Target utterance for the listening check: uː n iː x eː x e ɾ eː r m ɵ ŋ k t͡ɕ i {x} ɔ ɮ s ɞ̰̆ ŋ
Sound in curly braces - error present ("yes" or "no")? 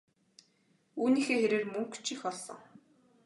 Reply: no